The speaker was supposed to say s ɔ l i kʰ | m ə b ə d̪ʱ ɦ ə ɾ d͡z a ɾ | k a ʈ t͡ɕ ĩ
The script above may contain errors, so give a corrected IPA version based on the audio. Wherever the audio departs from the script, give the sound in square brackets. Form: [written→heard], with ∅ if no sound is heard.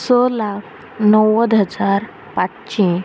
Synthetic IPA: s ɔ l [i→a] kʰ | [m→n] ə [b→w] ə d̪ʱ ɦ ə [ɾ→∅] d͡z a ɾ | [k→p] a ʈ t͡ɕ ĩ